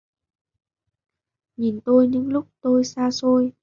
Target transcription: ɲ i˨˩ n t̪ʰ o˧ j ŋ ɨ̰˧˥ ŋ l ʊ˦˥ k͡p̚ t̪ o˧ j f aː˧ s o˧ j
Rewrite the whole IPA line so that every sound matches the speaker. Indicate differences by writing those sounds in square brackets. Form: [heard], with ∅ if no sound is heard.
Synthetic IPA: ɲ i˨˩ n [t̪] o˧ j [ɲ] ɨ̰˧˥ ŋ l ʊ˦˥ k͡p̚ t̪ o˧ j [s] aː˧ s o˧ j